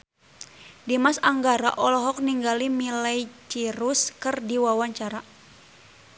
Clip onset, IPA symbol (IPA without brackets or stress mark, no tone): d